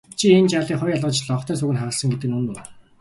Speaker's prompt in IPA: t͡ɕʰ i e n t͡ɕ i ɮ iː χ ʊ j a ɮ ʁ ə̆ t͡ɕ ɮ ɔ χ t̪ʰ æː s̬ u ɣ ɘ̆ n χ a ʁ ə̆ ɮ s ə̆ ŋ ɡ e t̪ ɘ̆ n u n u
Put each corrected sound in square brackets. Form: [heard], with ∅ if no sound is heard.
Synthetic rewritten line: t͡ɕʰ i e n t͡ɕ [a] ɮ iː χ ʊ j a ɮ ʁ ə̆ t͡ɕ ɮ ɔ χ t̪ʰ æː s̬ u ɣ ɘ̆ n χ a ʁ ə̆ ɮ s ə̆ ŋ ɡ e t̪ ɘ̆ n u n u